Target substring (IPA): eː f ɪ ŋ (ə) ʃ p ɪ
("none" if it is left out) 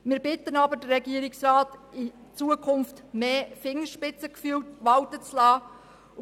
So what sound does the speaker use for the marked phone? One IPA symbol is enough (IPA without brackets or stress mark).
ə